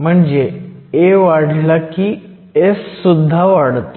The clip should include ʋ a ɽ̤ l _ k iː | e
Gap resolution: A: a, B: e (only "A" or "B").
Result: A